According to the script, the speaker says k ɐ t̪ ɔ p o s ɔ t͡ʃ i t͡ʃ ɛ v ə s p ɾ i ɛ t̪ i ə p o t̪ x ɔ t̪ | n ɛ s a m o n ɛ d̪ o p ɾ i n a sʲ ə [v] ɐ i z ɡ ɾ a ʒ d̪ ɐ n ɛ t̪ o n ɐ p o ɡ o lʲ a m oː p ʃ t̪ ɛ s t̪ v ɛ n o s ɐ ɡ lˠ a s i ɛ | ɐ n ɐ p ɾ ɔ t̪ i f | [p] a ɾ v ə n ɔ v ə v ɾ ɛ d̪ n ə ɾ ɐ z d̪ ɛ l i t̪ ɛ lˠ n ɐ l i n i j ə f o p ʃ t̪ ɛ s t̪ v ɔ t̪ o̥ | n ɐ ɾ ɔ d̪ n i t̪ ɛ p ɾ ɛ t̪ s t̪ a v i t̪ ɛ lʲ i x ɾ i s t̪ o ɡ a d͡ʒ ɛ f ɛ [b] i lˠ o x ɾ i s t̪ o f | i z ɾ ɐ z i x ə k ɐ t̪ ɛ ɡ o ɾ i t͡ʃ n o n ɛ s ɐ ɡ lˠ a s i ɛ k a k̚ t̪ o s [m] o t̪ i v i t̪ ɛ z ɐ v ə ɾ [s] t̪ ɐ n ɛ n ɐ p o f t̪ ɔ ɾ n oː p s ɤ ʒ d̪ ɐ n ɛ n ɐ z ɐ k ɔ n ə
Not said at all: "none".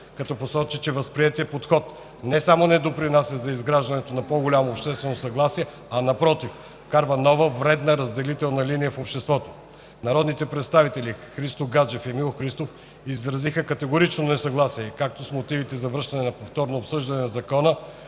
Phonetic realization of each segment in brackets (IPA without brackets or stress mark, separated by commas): z, k, m, m, ʃ